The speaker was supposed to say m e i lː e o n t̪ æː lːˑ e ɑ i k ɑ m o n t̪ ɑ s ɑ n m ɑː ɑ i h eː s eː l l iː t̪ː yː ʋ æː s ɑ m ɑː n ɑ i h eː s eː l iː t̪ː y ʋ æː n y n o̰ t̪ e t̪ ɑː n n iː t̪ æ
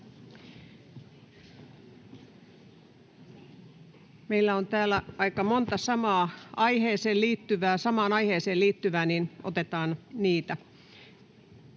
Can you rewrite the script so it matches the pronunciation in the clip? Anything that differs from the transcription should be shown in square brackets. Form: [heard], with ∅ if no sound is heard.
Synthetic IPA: m e i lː [æ] o n t̪ æː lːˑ [æ] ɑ i k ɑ m o n t̪ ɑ s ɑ [∅] m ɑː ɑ i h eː s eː l l iː t̪ː [y] ʋ æː s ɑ m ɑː n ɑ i h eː s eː l iː t̪ː y ʋ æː n [i] n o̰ t̪ e t̪ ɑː n n iː t̪ æ